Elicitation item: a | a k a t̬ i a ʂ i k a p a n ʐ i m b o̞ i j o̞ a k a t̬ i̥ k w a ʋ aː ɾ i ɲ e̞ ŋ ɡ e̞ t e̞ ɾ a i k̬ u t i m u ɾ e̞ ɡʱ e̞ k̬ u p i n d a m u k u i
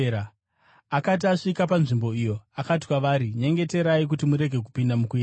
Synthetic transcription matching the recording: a | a k a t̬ i a ʂ i k a p a n ʐ i m b o̞ i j o̞ a k a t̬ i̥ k w a ʋ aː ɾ i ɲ e̞ ŋ ɡ e̞ t e̞ ɾ a i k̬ u t i m u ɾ e̞ ɡʱ e̞ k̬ u p i n d a m u k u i